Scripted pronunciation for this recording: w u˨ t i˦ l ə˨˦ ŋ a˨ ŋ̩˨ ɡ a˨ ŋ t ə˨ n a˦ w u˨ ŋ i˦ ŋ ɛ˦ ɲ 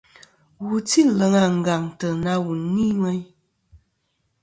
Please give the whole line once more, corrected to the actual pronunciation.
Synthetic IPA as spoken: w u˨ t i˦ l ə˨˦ ŋ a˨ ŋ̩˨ ɡ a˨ ŋ t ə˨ n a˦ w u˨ n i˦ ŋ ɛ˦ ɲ

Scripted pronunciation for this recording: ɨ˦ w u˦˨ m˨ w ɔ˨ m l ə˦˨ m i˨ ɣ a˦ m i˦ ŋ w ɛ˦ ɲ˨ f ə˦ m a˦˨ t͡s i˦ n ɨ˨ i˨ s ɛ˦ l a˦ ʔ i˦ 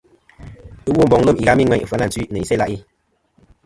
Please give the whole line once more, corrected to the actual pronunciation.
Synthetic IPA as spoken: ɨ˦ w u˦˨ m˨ b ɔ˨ ŋ l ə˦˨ m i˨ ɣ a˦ m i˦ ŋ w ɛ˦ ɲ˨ f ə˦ n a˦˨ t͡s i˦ n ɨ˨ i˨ s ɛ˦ l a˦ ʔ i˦

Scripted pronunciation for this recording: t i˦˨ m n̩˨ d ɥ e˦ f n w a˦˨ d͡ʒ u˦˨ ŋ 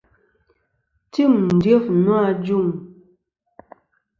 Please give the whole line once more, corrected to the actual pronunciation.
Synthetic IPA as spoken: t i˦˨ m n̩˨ d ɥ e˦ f n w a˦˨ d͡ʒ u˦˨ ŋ

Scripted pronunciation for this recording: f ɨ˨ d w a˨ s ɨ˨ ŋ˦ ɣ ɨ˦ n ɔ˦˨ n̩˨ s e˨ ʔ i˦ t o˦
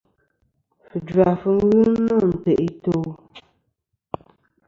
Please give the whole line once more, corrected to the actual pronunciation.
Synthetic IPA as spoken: f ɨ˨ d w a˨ f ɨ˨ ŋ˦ ɣ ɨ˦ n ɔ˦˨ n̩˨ t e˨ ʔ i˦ t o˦

